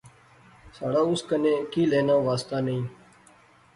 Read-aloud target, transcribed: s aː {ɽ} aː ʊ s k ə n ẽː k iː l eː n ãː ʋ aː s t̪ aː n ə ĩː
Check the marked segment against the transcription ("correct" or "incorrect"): correct